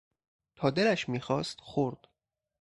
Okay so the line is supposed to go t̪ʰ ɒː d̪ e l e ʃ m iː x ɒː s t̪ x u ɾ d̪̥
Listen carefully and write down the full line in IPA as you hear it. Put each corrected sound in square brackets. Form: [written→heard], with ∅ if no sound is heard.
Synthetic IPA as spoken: t̪ʰ ɒː d̪ e l [e→æ] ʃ m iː x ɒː s t̪ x [u→o] ɾ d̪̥